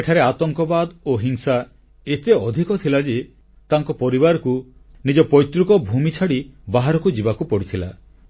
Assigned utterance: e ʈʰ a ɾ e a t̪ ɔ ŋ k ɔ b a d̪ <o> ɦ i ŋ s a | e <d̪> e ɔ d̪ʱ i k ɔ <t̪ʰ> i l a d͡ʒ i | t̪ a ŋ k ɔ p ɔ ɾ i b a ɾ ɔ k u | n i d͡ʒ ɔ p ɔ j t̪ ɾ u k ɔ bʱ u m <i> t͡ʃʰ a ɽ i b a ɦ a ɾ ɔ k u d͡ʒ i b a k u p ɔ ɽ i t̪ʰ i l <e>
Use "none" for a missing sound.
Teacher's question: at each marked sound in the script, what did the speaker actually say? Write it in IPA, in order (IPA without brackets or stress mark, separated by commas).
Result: o, t̪, t̪ʰ, i, a